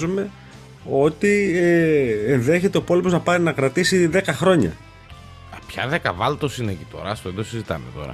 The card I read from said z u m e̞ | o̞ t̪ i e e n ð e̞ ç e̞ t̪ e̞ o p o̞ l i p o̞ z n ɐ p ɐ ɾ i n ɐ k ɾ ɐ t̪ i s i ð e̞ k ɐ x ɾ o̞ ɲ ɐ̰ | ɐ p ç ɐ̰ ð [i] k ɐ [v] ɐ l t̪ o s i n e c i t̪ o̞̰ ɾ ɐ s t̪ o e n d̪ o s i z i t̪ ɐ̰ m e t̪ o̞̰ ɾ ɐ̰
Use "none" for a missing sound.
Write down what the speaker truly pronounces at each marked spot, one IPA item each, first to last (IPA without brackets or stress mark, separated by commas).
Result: e, v